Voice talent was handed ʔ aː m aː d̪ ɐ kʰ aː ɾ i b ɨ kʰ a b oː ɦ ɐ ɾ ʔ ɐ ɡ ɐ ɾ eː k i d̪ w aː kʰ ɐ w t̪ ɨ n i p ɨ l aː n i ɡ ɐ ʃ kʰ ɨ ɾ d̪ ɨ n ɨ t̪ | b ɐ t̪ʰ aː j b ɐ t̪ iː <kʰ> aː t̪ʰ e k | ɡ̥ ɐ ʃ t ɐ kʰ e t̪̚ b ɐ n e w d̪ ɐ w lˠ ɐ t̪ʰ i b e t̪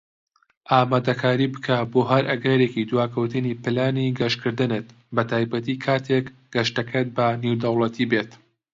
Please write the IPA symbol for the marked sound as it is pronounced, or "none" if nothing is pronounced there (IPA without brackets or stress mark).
kʰ